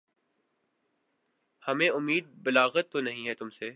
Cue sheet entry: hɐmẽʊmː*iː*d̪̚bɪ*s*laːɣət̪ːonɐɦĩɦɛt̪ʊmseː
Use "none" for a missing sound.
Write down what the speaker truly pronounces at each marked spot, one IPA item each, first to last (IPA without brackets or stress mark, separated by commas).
iː, none